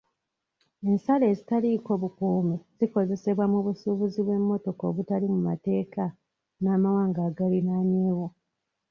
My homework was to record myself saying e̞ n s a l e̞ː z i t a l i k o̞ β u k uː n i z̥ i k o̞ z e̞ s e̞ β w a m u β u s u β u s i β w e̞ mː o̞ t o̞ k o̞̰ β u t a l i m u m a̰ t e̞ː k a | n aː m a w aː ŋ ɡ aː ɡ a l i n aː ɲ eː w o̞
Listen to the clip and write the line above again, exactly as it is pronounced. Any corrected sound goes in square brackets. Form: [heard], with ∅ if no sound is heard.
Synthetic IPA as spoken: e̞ n s a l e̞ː z i t a l i k o̞ β u k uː [m] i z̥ i k o̞ z e̞ s e̞ β w a m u β u s u β u [z] i β w e̞ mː o̞ t o̞ k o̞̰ β u t a l i m u m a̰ t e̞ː k a | n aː m a w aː ŋ ɡ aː ɡ a l i n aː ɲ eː w o̞